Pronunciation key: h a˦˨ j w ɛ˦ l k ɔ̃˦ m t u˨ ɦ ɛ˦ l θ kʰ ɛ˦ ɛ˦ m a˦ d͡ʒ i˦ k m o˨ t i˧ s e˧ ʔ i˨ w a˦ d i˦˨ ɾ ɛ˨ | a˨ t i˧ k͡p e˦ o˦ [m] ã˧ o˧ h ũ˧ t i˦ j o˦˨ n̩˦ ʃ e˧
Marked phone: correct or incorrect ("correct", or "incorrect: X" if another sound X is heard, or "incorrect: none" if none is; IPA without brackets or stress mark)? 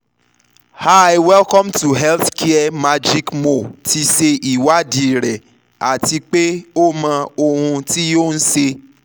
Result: correct